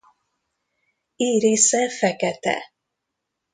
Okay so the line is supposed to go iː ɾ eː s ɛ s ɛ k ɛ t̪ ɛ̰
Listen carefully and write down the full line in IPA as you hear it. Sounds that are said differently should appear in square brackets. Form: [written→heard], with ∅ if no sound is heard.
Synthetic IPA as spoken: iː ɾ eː s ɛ [s→f] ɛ k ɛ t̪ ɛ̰